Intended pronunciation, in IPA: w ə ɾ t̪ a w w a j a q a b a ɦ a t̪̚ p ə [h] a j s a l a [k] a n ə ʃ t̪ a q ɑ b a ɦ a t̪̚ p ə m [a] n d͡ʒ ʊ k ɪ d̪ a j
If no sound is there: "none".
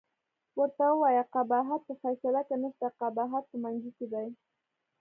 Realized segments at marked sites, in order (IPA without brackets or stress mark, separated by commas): f, k, a